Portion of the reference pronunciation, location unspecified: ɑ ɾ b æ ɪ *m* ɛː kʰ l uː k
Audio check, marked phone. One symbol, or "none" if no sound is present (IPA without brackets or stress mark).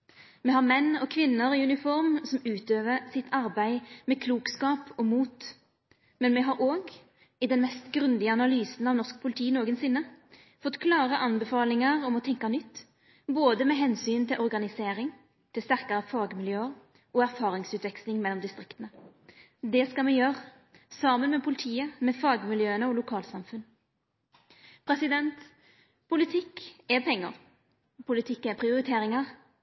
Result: m